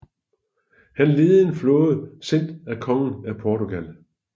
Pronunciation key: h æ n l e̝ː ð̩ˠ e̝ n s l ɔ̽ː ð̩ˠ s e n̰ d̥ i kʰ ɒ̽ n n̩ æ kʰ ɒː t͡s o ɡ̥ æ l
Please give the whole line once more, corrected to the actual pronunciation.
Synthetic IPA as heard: h æ n l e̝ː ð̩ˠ e̝ n f l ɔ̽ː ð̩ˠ s e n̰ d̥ æ kʰ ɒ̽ ŋ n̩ æ pʰ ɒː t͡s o ɡ̥ æ l